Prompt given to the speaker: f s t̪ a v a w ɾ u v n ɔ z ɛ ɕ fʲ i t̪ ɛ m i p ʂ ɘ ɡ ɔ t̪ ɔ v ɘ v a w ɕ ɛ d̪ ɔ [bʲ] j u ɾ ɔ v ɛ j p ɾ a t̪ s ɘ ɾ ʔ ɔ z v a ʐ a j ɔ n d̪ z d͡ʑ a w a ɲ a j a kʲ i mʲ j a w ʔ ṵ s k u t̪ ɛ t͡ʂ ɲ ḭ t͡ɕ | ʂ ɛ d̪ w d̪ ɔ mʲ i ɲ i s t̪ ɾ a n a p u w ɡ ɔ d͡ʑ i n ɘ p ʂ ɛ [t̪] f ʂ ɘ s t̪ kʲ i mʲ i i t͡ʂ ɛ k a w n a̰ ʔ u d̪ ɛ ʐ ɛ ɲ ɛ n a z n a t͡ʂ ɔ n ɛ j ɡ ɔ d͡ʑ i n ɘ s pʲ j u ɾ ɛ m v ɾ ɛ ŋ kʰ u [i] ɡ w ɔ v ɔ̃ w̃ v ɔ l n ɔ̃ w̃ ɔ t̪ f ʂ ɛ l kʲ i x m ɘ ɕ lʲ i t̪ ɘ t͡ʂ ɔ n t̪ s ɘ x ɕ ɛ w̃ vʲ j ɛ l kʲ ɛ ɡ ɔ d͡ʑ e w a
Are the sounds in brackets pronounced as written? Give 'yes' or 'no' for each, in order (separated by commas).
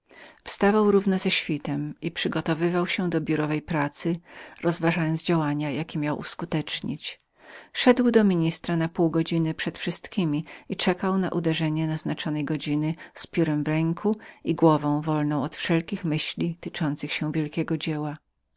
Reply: yes, yes, yes